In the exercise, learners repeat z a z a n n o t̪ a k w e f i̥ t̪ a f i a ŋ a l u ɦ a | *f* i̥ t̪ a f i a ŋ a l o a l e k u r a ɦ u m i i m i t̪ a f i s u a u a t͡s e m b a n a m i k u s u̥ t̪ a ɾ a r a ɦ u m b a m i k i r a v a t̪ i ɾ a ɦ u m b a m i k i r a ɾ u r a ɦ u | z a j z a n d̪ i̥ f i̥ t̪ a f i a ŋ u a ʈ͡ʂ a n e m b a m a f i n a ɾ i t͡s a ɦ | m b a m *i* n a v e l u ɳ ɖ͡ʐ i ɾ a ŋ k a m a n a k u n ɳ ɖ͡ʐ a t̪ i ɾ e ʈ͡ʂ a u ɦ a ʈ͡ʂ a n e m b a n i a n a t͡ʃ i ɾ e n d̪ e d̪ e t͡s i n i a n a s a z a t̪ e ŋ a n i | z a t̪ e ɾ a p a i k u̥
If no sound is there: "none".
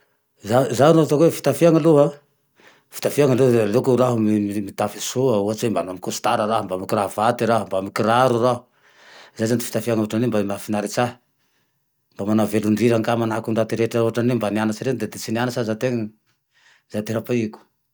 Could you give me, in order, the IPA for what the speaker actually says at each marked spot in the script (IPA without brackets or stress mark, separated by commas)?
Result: f, a